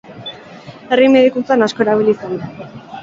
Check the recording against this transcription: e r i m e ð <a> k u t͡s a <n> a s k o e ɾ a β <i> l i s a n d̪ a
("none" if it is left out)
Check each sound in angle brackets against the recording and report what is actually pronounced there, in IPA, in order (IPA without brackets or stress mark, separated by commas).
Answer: i, n, i